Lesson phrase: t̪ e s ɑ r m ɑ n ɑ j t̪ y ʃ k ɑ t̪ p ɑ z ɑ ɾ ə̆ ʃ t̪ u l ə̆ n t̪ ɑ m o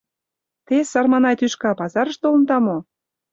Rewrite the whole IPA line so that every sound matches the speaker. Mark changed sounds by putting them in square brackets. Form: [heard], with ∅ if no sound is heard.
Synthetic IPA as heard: t̪ e s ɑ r m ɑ n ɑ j t̪ y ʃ k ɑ [∅] p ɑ z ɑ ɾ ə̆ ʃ t̪ [o] l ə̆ n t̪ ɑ m o

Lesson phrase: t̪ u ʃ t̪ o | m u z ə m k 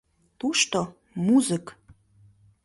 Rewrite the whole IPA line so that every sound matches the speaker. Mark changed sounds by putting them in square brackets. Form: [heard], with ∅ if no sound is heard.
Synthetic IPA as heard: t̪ u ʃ t̪ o | m u z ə [∅] k

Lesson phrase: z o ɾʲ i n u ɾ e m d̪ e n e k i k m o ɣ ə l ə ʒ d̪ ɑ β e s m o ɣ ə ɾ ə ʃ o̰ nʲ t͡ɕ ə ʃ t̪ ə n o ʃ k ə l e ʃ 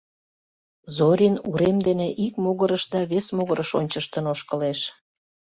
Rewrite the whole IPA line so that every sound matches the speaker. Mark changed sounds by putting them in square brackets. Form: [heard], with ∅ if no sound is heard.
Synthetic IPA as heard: z o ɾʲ i n u ɾ e m d̪ e n e [ʔ] i k m o ɣ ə [ɾ] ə [ʃ] d̪ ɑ β e s m o ɣ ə ɾ ə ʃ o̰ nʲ t͡ɕ ə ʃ t̪ ə n o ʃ k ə l e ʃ

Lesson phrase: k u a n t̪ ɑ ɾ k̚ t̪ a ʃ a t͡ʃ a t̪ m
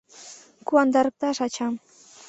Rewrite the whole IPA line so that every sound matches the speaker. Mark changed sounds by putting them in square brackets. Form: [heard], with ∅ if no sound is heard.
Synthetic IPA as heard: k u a n [d̪] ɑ ɾ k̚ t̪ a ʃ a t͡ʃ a [∅] m

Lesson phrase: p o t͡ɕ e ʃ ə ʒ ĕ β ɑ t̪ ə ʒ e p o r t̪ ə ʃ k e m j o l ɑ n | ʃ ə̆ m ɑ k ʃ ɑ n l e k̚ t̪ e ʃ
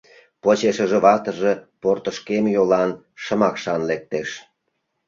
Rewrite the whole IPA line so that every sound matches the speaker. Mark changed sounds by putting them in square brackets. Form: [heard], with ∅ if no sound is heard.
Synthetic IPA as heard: p o t͡ɕ e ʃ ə ʒ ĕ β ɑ t̪ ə ʒ e p o r t̪ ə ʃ k e m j o l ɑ n | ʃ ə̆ m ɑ k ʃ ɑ n l e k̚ t̪ e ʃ

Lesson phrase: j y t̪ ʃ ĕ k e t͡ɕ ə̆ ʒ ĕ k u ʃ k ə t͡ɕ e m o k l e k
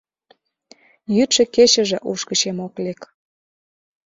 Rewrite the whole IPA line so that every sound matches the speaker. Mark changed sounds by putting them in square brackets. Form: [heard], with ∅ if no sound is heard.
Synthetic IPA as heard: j y t̪ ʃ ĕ k e t͡ɕ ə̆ ʒ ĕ [ʔ] u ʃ k ə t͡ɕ e m o k l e k

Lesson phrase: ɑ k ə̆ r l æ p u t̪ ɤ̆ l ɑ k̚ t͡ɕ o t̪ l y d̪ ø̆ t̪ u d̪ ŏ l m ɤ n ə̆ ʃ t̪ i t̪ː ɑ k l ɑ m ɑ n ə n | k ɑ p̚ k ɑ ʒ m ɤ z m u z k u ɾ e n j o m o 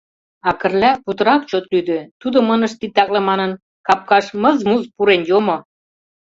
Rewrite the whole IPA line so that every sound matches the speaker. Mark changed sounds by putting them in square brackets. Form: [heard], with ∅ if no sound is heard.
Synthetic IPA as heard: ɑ k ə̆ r l æ p u t̪ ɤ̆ [ɾ] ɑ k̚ t͡ɕ o t̪ l y d̪ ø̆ t̪ u d̪ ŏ [∅] m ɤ n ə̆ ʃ t̪ i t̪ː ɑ k l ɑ m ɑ n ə n | k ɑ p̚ k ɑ [ʃ] m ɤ z m u z [p] u ɾ e n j o m o

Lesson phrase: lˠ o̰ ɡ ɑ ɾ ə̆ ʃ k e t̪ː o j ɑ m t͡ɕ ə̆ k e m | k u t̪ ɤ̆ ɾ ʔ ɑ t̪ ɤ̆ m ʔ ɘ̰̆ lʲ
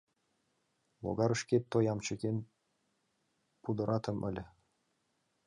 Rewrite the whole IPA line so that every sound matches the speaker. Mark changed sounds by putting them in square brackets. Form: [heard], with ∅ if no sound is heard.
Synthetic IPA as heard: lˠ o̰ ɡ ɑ ɾ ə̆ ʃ k e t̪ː o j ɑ m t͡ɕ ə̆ k e [n] | [p] u [d̪] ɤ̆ ɾ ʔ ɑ t̪ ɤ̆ m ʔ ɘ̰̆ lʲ

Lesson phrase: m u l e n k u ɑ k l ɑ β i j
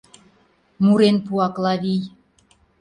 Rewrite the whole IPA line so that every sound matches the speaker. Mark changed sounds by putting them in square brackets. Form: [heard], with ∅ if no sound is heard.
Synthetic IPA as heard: m u [ɾ] e n [p] u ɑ k l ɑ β i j

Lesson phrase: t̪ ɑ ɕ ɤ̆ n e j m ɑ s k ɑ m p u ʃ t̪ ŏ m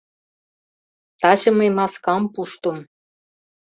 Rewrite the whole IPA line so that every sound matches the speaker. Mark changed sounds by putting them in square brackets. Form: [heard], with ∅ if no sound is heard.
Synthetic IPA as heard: t̪ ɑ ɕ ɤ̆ [m] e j m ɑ s k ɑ m p u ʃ t̪ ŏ m

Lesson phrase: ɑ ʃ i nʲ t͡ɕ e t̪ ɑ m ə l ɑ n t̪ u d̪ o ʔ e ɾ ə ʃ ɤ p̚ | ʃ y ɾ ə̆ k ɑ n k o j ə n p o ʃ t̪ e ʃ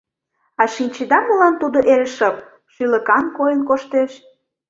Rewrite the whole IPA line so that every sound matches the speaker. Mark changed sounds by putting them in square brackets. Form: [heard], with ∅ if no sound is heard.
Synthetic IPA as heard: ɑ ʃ i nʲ t͡ɕ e [d̪] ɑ m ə l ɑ n t̪ u d̪ o ʔ e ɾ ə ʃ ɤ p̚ | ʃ y [l] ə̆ k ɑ n k o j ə n [k] o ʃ t̪ e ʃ

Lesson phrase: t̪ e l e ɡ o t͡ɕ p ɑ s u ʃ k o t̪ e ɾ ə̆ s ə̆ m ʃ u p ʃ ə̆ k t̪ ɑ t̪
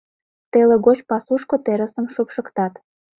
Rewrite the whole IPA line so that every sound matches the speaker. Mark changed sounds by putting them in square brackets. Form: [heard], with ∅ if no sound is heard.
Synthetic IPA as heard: t̪ e l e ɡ o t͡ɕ p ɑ s u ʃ k o t̪ e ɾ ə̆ s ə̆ m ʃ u p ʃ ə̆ k t̪ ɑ t̪

